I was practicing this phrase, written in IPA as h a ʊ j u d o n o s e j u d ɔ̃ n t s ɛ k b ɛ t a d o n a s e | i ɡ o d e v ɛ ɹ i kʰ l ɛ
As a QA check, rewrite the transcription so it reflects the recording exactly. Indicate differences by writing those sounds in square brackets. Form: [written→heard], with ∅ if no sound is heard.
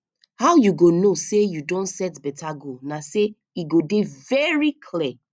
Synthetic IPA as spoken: h a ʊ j u [d→ɡ] o n o s e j u d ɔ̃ n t s ɛ [k→t] b ɛ t a [d→ɡ] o n a s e | i ɡ o d e v ɛ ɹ i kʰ l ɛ